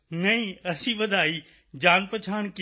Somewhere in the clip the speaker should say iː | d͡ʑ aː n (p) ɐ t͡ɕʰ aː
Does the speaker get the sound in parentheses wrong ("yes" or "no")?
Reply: no